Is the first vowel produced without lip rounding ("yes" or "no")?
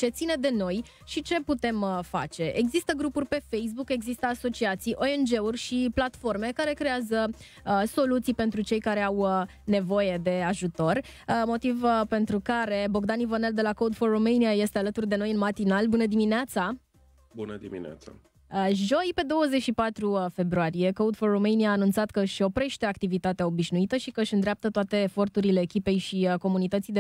yes